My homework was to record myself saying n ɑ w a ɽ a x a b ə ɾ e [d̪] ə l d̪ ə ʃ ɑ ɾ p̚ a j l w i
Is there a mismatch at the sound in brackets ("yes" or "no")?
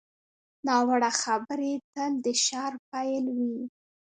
yes